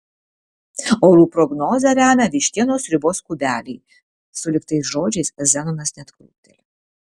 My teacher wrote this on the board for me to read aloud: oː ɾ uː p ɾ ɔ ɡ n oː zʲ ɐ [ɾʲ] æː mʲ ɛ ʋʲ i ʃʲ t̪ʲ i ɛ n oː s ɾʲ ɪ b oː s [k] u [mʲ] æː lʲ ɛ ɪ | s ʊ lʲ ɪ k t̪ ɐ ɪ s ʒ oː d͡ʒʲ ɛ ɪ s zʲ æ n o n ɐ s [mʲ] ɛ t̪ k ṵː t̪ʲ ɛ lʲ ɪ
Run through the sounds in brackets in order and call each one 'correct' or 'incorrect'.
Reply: correct, correct, incorrect: bʲ, incorrect: nʲ

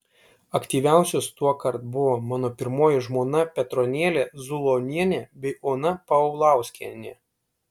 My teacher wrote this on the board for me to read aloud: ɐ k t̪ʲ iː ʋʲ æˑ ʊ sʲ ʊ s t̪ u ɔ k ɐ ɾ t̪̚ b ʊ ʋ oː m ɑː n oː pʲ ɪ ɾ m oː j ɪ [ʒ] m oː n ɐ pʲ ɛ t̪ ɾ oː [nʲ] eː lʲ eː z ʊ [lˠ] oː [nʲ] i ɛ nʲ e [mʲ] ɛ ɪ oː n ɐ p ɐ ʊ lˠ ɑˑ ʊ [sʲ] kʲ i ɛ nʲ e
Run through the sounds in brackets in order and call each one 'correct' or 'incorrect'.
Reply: correct, correct, correct, correct, incorrect: bʲ, correct

